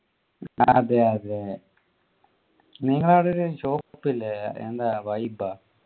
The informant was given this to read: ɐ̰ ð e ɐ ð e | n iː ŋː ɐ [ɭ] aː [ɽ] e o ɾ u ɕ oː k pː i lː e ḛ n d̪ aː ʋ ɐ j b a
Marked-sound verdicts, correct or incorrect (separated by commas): correct, correct